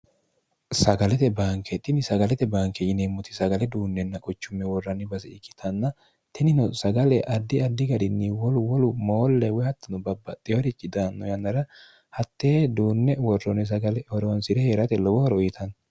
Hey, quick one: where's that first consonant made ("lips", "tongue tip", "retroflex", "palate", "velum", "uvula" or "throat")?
tongue tip